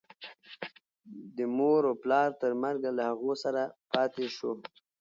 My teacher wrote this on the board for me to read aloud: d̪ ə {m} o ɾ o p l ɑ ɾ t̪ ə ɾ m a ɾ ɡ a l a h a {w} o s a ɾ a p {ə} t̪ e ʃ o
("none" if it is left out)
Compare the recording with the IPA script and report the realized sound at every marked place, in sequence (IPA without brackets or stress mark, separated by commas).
m, ɣ, ɑ